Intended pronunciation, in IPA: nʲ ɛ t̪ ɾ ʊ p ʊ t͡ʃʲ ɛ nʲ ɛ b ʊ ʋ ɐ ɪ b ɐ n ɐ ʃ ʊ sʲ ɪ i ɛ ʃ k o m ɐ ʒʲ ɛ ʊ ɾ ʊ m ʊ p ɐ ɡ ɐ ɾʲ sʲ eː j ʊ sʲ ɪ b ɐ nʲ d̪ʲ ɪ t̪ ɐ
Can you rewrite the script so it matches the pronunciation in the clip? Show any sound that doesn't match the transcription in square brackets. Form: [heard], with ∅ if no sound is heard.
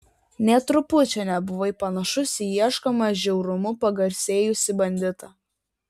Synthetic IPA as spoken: nʲ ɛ t̪ ɾ ʊ p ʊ t͡ʃʲ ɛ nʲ ɛ b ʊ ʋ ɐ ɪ [p] ɐ n ɐ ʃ ʊ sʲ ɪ i ɛ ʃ k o m ɐ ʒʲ ɛ ʊ ɾ ʊ m ʊ p ɐ ɡ ɐ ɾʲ sʲ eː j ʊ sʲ ɪ b ɐ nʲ d̪ʲ ɪ t̪ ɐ